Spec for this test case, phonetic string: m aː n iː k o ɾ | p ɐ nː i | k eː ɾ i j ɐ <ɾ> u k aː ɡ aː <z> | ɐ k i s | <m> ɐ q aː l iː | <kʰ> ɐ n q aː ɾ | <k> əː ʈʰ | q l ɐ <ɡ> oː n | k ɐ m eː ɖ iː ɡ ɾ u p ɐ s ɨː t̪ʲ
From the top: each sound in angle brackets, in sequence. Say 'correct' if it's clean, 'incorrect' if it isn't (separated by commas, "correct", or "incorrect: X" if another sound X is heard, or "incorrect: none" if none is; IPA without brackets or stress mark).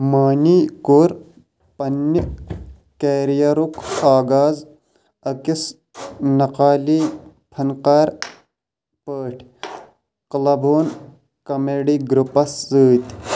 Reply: correct, correct, incorrect: n, incorrect: pʰ, incorrect: p, incorrect: b